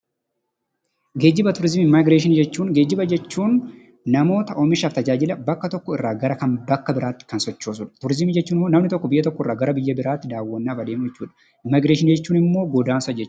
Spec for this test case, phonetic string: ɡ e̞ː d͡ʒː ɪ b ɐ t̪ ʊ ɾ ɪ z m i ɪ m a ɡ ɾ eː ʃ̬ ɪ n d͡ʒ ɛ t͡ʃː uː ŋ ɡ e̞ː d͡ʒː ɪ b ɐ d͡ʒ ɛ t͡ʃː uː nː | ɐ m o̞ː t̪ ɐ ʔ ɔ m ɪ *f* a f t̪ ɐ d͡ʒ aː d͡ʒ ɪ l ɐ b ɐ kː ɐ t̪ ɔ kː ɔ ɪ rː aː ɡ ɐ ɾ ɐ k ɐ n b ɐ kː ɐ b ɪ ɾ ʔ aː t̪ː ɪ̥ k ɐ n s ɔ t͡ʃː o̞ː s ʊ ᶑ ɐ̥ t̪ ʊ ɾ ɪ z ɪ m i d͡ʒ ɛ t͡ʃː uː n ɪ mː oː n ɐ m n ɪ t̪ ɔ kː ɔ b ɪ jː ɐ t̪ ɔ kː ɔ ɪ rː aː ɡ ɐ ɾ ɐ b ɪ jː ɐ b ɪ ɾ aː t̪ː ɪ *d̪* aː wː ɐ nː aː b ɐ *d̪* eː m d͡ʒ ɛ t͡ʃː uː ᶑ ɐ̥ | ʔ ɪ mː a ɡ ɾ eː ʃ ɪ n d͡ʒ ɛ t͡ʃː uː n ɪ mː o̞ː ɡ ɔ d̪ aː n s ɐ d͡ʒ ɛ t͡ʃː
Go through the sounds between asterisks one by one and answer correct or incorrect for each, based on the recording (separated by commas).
incorrect, correct, correct